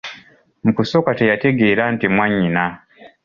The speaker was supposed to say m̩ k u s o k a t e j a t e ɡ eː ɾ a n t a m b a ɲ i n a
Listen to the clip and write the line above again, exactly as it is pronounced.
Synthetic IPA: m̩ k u s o k a t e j a t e ɡ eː ɾ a n t i m w a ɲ i n a

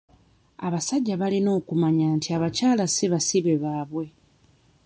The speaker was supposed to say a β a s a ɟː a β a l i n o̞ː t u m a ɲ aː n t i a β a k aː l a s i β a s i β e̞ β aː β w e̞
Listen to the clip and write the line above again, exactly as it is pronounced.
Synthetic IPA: a β a s a ɟː a β a l i n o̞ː k u m a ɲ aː n t i a β a c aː l a s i β a s i β e̞ β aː β w e̞

